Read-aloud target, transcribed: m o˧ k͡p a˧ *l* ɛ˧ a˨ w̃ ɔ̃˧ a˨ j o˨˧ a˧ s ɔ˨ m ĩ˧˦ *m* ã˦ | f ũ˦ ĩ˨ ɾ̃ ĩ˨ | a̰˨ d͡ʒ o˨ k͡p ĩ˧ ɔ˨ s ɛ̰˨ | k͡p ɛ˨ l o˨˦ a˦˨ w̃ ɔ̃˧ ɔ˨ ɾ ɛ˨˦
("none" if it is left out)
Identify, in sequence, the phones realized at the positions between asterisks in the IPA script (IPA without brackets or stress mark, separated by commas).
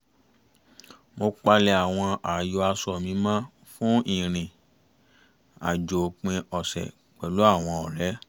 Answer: l, m